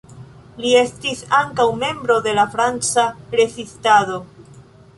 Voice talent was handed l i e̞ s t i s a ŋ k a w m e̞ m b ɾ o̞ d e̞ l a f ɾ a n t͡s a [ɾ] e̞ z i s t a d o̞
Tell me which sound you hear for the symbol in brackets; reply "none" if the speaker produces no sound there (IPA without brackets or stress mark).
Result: ɾ